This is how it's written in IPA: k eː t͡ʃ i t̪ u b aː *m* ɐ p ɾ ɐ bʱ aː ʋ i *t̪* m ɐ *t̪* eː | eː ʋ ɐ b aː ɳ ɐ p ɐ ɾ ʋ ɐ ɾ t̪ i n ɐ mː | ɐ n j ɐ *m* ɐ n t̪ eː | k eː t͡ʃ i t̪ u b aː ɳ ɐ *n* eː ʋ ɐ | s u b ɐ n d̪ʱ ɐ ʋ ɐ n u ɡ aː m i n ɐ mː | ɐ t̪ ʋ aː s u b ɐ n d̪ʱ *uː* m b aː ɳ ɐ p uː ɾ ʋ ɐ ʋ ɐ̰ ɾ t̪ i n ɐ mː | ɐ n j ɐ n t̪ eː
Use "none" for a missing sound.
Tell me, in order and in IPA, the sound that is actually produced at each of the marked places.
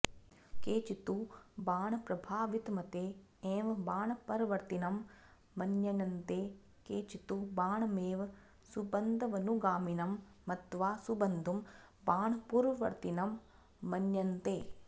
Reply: ɳ, t̪, t̪, n, m, u

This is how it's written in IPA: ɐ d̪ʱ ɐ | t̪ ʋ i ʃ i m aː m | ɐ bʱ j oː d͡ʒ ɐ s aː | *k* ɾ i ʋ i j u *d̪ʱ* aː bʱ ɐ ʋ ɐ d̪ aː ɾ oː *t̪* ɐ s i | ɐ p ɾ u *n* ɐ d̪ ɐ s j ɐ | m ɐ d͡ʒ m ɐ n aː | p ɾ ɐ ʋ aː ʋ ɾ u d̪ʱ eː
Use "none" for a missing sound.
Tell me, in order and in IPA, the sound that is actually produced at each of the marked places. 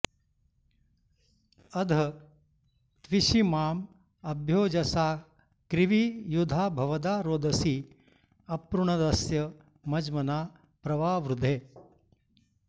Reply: k, d̪ʱ, d̪, ɳ

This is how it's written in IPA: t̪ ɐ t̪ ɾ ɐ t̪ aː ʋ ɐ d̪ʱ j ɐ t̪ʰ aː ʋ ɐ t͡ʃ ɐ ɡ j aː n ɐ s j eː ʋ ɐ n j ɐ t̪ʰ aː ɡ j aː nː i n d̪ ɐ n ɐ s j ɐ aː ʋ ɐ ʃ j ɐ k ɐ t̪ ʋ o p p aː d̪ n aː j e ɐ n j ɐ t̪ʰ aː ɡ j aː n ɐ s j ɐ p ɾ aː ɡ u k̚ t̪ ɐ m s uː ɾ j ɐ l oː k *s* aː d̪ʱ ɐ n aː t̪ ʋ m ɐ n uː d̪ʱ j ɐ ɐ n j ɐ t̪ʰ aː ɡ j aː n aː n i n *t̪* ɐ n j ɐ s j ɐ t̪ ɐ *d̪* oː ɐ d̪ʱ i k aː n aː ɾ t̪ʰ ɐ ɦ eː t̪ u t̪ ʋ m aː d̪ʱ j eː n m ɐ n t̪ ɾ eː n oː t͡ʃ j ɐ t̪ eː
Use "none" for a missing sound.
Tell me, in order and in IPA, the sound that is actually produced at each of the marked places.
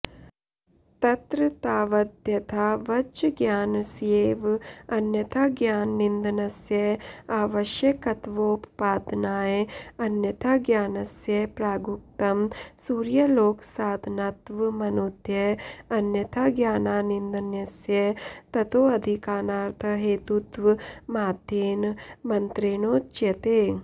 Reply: s, d̪, t̪

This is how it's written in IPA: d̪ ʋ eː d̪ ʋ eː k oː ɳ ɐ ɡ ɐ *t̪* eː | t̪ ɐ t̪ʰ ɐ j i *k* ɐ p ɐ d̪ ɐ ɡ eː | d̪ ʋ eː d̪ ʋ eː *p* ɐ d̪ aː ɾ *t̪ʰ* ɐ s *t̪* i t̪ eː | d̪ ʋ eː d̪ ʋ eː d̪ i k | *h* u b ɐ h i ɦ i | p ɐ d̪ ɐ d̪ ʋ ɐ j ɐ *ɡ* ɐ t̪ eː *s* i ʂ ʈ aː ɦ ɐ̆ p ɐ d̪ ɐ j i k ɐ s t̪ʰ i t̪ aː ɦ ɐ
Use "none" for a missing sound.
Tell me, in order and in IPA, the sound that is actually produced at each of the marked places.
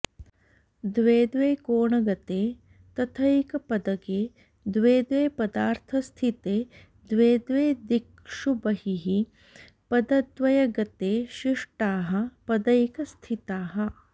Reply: t̪, k, p, t̪ʰ, t̪ʰ, ʂ, ɡ, ʃ

